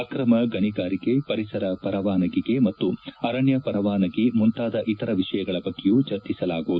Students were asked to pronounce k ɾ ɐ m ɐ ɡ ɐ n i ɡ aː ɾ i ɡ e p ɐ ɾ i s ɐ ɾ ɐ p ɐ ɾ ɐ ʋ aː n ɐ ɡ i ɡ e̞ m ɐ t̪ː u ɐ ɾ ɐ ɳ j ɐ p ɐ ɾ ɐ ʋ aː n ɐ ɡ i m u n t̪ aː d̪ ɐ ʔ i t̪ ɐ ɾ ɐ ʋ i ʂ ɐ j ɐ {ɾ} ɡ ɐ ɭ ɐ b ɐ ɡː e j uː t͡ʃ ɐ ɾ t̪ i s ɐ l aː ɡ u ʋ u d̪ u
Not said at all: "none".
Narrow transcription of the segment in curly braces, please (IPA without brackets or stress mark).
none